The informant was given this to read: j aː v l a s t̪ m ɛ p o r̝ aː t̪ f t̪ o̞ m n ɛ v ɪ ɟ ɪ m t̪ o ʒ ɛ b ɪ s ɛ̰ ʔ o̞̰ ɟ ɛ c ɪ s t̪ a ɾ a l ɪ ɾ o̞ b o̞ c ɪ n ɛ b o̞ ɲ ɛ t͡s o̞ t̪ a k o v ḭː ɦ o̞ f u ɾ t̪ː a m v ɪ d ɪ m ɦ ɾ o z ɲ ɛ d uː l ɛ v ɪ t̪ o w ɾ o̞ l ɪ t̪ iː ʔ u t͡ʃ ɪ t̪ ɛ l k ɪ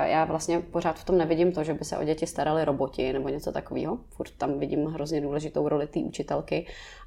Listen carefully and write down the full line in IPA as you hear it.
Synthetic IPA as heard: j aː v l a s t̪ ɲ ɛ p o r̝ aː t̪ f t̪ o̞ m n ɛ v ɪ ɟ ɪ m t̪ o ʒ ɛ b ɪ s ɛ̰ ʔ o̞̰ ɟ ɛ c ɪ s t̪ a ɾ a l ɪ ɾ o̞ b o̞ c ɪ n ɛ b o̞ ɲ ɛ t͡s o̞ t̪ a k o v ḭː ɦ o̞ f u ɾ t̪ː a m v ɪ ɟ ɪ m ɦ ɾ o z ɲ ɛ d uː l ɛ ʒ ɪ t̪ o w ɾ o̞ l ɪ t̪ iː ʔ u t͡ʃ ɪ t̪ ɛ l k ɪ